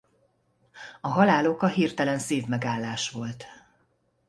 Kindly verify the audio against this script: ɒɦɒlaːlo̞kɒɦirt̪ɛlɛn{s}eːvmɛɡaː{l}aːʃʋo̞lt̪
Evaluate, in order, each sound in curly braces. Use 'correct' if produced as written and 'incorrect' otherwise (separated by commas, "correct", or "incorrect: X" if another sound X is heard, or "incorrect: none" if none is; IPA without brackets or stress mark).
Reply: correct, incorrect: lː